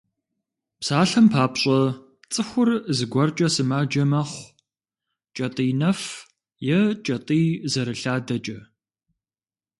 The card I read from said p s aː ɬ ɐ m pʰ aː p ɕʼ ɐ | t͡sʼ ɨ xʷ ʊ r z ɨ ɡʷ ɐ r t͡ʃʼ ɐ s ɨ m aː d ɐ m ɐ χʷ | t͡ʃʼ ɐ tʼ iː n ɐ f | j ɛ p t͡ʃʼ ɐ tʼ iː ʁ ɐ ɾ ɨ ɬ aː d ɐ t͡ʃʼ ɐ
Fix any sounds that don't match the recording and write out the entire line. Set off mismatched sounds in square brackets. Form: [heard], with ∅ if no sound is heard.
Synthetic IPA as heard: p s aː ɬ ɐ m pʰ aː p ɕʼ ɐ | t͡sʼ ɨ xʷ ʊ r z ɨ ɡʷ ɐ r t͡ʃʼ ɐ s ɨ m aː [d͡ʒ] ɐ m ɐ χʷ | t͡ʃʼ ɐ tʼ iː n ɐ f | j ɛ [∅] t͡ʃʼ ɐ tʼ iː [z] ɐ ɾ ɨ ɬ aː d ɐ t͡ʃʼ ɐ